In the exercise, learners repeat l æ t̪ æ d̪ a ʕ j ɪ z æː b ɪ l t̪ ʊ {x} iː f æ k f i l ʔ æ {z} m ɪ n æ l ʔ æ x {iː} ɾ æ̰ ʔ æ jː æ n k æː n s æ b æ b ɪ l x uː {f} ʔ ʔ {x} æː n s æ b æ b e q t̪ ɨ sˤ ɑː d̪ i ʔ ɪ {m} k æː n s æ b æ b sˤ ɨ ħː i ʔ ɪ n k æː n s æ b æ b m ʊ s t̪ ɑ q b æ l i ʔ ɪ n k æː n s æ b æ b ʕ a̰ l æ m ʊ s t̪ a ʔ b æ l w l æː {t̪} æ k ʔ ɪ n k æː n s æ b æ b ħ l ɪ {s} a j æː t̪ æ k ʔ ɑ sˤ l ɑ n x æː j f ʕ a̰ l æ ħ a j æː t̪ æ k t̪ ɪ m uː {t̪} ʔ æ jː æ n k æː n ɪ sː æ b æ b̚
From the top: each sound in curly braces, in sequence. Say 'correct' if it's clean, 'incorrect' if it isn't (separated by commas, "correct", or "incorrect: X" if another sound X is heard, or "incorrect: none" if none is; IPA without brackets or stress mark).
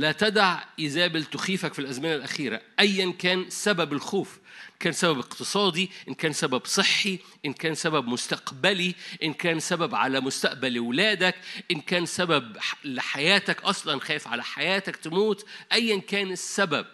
correct, correct, correct, correct, incorrect: k, incorrect: n, incorrect: d̪, incorrect: ħ, correct